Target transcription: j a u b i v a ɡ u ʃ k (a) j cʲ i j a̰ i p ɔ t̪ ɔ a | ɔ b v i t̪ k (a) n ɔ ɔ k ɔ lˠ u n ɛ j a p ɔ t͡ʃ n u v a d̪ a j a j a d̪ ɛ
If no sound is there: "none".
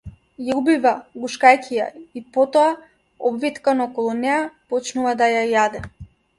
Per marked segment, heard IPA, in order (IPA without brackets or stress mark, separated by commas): a, a